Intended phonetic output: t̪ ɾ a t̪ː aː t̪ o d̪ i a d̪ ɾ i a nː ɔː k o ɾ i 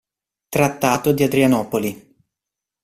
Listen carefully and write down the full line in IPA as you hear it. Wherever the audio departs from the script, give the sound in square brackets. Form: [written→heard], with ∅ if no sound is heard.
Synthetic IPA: t̪ ɾ a t̪ː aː t̪ o d̪ i a d̪ ɾ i a [nː→n] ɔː [k→p] o [ɾ→l] i